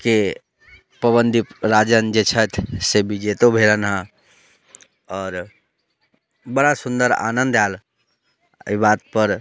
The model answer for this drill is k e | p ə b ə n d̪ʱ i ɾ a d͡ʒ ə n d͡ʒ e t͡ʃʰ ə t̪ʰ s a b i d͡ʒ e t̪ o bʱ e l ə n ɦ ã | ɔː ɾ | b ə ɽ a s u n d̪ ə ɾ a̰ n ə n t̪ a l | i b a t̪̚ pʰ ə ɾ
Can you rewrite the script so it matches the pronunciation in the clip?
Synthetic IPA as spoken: k e | p ə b ə n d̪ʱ i ɾ a d͡ʒ ə n d͡ʒ e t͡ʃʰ ə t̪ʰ s e b i d͡ʒ e t̪ o bʱ e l ə n ɦ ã | ɔː ɾ | b ə ɽ a s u n d̪ ə ɾ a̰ n ə n d̪ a l | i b a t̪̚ p ə ɾ